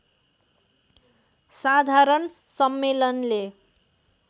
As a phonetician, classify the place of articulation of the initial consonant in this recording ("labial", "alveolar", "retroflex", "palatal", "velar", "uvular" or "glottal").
alveolar